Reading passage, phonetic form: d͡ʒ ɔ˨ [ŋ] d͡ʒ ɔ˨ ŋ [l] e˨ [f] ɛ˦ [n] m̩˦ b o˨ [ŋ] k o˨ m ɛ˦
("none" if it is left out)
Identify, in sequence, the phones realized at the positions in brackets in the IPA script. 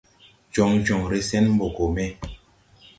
ŋ, ɾ, s, n, none

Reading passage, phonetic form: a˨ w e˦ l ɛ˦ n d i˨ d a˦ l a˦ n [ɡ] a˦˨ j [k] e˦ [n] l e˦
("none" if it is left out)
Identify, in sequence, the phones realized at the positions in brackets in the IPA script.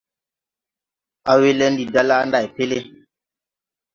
d, p, none

